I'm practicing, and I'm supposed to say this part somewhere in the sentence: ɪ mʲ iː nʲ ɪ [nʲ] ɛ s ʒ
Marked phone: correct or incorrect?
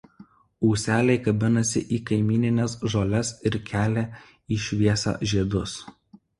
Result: correct